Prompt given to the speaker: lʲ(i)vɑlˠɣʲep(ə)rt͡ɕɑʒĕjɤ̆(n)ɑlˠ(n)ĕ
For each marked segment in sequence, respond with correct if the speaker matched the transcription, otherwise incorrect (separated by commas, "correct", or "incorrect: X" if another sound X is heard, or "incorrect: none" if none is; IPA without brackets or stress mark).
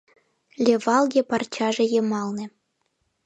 incorrect: e, incorrect: ɑ, incorrect: m, correct